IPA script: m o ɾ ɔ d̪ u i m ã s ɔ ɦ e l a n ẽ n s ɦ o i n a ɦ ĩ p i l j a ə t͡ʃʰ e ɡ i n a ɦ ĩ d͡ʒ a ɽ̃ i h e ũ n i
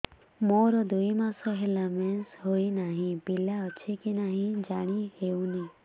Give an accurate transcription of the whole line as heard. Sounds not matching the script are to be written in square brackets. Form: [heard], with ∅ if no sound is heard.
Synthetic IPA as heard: m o ɾ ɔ d̪ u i m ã s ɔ ɦ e l a [m] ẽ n s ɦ o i n a ɦ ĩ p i l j a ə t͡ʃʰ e [k] i n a ɦ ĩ d͡ʒ a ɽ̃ i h e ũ n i

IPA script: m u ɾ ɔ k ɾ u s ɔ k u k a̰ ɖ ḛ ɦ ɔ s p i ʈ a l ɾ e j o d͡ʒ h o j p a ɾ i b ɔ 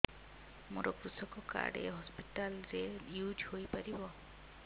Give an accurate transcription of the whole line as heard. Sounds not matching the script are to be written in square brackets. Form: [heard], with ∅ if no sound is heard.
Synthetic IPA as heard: m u ɾ ɔ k ɾ u s ɔ k [ɔ] k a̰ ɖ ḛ ɦ ɔ s p i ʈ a l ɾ e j [u] d͡ʒ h o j p a ɾ i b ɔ

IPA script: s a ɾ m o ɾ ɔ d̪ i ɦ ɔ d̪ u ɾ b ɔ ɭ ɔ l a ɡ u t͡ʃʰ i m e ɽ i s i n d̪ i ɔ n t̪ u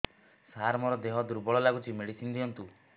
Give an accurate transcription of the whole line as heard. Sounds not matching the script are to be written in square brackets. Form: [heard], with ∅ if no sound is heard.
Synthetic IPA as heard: s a ɾ m [ɔ] ɾ ɔ d̪ [e] ɦ ɔ d̪ u ɾ b ɔ ɭ ɔ l a ɡ u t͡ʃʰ i m e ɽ i s i n d̪ i ɔ n t̪ u

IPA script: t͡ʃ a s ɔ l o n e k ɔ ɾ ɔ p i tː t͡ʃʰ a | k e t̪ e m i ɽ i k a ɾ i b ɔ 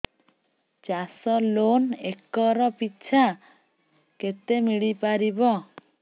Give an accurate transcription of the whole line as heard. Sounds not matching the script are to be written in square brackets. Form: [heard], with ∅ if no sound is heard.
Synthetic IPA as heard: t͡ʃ a s ɔ l o n e k ɔ ɾ ɔ p i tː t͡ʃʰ a | k e t̪ e m i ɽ i [p] a ɾ i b ɔ

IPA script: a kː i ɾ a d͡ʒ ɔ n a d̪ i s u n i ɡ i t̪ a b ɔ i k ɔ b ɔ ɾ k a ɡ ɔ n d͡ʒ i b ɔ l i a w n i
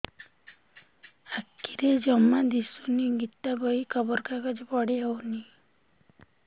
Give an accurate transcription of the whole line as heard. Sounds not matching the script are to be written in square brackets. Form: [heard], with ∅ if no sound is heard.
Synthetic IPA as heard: a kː i ɾ [e] d͡ʒ ɔ [m] a d̪ i s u n i ɡ i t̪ a b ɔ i k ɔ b ɔ ɾ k a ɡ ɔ [∅] d͡ʒ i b ɔ [ɽ] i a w n i

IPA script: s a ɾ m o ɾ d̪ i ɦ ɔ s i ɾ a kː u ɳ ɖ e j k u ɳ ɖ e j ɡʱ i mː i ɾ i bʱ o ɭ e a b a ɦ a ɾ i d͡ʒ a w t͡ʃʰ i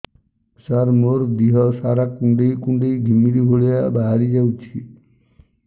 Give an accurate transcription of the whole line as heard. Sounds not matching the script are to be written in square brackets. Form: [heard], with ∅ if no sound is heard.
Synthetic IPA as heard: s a ɾ m o ɾ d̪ i ɦ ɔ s [a] ɾ a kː u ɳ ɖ e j k u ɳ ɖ e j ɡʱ i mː i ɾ i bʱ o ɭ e a b a ɦ a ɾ i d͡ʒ a w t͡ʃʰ i

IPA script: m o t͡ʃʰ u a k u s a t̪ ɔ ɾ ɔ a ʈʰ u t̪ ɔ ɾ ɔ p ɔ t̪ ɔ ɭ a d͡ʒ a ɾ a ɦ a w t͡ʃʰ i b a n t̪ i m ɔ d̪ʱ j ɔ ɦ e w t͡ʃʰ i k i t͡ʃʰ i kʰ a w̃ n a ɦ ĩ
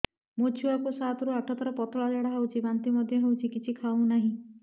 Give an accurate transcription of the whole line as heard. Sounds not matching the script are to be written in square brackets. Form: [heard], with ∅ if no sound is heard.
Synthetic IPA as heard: m o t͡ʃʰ u a k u s a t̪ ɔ ɾ [u] a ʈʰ [ɔ] t̪ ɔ ɾ ɔ p ɔ t̪ ɔ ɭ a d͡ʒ a [ɽ] a ɦ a w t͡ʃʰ i b a n t̪ i m ɔ d̪ʱ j ɔ ɦ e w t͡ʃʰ i k i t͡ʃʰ i kʰ a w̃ n a ɦ ĩ

